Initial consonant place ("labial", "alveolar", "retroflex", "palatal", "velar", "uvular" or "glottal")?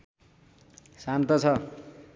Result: alveolar